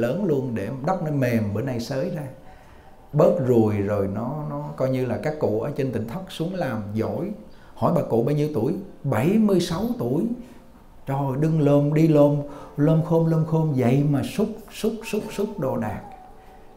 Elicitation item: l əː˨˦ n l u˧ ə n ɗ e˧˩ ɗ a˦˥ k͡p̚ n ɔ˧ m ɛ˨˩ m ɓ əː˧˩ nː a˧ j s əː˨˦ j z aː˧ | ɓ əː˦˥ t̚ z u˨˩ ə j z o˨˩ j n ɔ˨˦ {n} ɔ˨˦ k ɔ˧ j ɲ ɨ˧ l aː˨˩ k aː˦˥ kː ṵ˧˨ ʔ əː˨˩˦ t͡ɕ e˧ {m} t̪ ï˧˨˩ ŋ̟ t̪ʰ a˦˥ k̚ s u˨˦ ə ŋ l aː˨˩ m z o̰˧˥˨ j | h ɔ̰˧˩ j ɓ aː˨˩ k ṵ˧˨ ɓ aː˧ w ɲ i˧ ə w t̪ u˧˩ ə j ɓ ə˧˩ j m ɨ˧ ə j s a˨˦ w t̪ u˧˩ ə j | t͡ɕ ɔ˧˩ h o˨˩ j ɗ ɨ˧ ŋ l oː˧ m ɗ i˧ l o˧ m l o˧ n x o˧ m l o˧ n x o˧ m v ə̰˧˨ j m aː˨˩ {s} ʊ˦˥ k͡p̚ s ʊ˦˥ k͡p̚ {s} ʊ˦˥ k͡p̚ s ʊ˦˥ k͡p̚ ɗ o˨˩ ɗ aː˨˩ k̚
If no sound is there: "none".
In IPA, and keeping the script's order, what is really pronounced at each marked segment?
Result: n, n, s, s

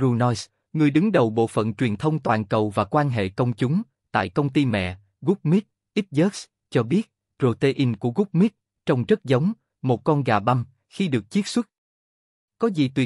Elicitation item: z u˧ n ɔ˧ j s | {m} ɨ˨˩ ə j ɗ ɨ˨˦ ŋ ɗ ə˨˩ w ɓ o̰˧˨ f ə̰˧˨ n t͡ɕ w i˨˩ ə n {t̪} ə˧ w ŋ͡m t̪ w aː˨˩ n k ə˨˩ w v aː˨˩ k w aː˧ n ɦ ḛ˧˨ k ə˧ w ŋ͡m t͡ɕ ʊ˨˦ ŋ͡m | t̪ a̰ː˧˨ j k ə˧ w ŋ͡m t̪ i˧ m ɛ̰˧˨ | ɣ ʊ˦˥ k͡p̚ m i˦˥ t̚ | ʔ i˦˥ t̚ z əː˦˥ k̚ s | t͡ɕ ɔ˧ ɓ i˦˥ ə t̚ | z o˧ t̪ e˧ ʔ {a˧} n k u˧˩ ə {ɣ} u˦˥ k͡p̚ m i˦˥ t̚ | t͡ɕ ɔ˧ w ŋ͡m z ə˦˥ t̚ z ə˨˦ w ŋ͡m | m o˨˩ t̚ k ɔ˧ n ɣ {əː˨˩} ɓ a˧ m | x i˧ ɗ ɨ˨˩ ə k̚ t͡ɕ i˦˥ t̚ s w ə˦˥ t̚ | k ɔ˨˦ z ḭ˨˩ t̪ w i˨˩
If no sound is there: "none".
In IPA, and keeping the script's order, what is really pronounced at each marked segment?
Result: ŋ, t̪ʰ, i˧, ɣ, aː˨˩

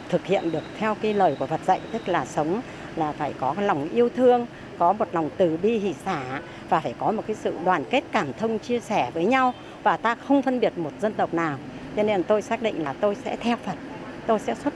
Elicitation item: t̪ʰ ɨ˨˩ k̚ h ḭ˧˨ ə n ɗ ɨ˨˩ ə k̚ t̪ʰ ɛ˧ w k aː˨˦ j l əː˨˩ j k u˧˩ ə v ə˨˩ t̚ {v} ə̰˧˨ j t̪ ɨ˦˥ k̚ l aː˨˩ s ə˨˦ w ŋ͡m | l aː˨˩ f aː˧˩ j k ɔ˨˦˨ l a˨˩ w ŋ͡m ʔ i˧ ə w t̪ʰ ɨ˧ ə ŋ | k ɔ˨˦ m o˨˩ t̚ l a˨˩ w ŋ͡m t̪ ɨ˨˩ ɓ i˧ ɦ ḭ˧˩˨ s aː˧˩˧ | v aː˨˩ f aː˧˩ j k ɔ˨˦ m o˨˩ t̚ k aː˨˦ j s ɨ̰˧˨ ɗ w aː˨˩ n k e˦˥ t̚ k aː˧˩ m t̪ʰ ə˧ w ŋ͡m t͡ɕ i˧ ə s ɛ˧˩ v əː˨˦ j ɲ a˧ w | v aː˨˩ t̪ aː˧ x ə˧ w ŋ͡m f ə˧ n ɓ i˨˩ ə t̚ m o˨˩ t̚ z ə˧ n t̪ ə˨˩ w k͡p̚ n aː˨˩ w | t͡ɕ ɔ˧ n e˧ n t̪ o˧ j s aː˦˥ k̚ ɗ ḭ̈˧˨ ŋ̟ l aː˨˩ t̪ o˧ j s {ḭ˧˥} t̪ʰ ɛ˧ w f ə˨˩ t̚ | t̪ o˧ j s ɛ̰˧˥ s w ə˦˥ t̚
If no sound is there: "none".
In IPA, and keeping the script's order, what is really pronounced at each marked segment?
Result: z, ɛ̰˧˥

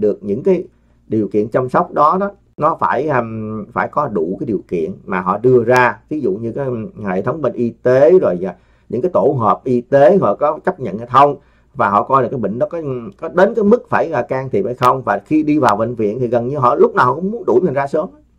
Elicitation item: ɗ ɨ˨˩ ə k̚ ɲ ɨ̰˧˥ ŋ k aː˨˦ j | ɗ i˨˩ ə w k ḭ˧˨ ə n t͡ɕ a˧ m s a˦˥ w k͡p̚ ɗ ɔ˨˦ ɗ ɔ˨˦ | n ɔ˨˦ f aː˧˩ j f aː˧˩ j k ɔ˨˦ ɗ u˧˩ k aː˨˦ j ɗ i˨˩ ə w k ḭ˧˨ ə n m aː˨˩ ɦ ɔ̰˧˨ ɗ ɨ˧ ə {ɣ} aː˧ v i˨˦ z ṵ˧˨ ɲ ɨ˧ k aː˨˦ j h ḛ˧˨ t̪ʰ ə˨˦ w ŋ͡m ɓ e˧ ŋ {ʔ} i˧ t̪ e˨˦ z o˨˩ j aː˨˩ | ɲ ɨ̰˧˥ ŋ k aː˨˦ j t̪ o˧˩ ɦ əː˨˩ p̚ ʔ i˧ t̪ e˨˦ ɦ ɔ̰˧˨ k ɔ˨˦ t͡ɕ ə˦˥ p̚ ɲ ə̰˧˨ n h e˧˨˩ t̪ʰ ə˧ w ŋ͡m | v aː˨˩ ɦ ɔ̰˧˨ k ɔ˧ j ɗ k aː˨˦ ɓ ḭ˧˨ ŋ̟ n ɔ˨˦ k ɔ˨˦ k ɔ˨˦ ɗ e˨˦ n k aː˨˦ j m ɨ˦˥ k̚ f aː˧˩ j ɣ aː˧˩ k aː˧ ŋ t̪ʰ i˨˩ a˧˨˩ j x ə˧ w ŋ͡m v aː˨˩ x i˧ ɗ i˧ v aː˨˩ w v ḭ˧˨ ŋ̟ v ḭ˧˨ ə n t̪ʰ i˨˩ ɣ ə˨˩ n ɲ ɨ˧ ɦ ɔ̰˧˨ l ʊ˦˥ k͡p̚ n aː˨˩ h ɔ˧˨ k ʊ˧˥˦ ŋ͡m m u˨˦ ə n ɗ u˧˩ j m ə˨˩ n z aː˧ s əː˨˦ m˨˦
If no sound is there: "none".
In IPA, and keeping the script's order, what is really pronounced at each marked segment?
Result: z, ʔ

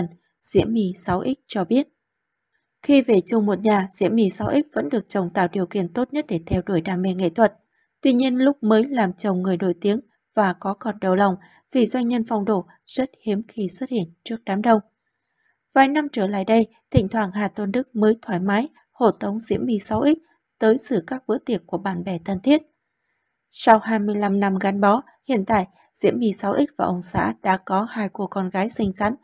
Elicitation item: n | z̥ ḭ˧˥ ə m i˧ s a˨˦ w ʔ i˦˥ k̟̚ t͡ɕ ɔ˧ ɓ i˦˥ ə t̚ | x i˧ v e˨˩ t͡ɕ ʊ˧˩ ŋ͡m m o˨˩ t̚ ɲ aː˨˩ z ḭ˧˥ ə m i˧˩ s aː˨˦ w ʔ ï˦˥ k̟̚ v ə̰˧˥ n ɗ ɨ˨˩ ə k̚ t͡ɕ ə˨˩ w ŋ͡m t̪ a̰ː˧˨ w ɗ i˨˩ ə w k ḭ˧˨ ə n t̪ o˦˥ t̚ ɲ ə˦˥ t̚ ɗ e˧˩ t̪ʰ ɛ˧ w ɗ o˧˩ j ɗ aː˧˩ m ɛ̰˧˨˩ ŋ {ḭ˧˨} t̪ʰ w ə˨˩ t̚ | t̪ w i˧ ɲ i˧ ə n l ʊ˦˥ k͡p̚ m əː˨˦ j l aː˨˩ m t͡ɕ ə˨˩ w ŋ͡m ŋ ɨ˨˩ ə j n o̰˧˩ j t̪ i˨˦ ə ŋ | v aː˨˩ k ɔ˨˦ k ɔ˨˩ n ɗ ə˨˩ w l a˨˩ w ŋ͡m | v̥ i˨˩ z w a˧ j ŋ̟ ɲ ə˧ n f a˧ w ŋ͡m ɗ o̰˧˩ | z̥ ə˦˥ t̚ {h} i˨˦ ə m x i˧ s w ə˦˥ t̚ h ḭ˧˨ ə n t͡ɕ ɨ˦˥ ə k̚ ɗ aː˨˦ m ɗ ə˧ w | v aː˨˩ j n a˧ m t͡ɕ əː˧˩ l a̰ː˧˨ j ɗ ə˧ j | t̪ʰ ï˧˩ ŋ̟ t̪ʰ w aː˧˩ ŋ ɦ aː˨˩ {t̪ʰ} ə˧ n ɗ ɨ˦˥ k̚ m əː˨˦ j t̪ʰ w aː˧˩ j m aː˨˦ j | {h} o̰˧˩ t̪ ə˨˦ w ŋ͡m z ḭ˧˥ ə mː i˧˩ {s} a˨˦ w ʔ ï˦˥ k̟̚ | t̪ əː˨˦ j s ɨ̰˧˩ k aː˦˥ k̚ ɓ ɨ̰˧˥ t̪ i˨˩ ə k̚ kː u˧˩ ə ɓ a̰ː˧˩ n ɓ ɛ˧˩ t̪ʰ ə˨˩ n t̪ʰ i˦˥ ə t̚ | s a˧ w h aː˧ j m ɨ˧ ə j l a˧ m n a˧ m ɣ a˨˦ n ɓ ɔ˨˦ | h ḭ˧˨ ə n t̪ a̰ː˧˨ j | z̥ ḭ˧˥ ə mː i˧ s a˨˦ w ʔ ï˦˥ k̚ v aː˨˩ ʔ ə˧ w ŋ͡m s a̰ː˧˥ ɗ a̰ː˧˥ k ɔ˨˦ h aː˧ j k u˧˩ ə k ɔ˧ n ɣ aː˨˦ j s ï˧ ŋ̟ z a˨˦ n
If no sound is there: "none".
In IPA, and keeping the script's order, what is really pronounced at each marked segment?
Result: ḛ˧˨, h, t̪, h, s

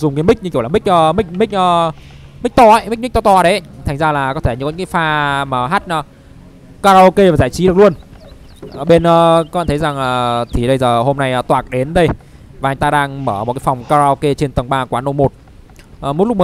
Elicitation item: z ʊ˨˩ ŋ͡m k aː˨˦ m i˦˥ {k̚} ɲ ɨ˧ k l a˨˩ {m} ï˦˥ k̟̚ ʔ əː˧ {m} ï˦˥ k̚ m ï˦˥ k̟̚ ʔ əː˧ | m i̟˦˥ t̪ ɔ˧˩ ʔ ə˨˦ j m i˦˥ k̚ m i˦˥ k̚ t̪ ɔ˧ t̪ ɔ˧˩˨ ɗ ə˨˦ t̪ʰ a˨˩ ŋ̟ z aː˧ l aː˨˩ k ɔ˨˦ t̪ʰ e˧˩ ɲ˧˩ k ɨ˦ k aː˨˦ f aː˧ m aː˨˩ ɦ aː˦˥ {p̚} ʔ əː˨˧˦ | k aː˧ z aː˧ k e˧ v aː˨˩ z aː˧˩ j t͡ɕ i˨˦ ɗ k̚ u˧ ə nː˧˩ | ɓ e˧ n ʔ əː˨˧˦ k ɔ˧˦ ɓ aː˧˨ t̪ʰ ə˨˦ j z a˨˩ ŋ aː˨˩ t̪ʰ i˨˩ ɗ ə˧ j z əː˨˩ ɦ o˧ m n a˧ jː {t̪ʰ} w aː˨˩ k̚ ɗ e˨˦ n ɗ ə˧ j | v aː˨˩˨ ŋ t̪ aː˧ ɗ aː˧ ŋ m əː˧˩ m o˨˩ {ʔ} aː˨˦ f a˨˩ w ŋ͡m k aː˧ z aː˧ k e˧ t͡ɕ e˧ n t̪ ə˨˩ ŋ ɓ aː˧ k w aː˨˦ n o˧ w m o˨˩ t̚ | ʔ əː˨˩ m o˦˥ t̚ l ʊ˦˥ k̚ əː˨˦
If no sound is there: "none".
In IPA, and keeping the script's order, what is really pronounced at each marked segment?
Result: k̚, m, m, t̚, t̪, k

